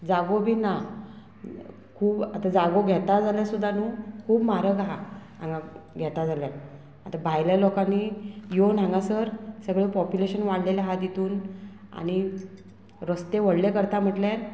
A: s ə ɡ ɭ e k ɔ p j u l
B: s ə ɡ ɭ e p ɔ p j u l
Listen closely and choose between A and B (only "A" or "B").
B